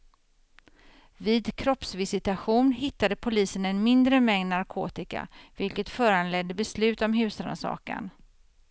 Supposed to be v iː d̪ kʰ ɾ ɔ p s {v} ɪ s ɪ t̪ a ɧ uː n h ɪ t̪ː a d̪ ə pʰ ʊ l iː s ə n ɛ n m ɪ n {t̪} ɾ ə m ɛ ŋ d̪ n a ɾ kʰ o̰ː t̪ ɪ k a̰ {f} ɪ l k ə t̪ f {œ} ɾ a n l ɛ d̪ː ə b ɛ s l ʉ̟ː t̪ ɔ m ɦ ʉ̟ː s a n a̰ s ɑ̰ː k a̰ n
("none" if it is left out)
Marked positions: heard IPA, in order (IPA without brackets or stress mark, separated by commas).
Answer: v, d̪, v, œː